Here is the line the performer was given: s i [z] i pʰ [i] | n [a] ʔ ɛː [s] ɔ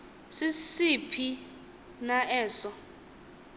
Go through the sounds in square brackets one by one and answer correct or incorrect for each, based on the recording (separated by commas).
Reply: incorrect, correct, correct, correct